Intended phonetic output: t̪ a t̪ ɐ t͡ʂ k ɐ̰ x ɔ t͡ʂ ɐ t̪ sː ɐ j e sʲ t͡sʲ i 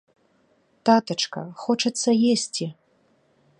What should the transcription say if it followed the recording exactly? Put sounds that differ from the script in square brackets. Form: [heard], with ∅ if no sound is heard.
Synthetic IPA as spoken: t̪ a t̪ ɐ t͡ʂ k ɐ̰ x ɔ t͡ʂ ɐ t̪ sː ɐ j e sʲ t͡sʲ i